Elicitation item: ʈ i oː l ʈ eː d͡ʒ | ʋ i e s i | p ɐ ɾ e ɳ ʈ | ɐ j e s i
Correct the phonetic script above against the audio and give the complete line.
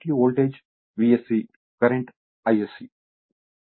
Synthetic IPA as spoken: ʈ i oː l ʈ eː d͡ʒ | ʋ i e s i | k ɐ ɾ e ɳ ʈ | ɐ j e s i